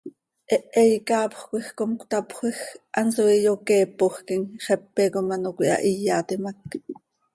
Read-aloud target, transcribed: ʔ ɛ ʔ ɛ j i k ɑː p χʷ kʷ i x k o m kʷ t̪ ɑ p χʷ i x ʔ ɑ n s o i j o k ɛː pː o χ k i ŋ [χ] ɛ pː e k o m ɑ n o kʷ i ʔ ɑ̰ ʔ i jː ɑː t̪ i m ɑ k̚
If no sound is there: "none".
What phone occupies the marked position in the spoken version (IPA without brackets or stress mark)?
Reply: χ